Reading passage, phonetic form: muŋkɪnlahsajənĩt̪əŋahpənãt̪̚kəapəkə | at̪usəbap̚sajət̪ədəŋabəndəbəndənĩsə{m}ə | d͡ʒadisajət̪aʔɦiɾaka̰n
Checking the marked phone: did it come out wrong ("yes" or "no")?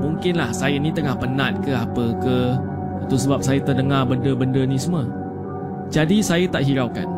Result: no